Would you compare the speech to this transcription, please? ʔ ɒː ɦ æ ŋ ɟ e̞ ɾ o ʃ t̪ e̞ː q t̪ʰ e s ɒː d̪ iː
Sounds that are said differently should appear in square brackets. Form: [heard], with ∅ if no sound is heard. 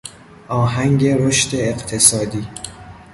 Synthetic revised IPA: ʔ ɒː ɦ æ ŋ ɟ e̞ ɾ o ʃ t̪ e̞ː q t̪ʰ e s ɒː d̪ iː